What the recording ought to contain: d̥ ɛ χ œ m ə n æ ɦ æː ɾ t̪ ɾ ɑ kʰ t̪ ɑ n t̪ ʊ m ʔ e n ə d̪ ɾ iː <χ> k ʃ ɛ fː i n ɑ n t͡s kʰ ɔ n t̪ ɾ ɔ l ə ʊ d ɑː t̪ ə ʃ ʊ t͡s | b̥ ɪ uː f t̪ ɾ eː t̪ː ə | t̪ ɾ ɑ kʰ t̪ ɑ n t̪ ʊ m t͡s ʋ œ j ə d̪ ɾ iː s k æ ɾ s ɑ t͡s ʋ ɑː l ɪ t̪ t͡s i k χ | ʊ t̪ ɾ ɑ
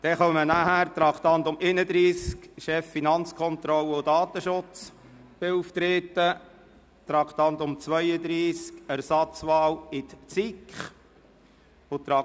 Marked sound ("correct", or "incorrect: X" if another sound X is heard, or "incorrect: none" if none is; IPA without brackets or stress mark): incorrect: s